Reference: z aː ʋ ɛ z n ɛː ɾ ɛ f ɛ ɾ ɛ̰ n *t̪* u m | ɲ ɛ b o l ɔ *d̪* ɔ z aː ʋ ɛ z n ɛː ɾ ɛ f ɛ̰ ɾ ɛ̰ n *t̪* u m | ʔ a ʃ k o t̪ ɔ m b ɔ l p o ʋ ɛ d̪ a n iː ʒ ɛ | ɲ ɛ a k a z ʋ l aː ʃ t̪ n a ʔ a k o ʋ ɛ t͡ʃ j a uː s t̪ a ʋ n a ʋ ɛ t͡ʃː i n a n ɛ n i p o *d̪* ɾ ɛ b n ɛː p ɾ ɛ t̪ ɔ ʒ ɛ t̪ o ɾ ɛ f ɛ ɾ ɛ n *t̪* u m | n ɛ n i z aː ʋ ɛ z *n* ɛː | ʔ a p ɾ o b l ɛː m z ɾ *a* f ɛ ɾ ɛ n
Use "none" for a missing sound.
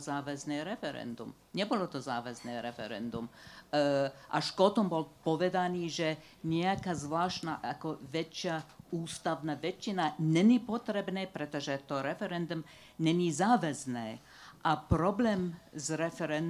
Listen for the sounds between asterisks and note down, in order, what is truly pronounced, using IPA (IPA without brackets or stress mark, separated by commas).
d̪, t̪, d̪, t̪, d̪, n, ɛ